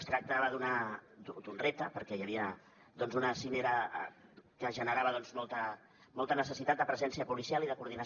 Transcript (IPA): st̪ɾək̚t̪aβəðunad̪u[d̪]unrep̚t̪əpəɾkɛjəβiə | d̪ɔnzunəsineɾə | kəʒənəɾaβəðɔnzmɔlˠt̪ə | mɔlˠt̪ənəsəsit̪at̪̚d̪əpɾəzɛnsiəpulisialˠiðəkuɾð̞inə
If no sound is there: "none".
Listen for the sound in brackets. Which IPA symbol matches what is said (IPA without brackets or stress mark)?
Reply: d̪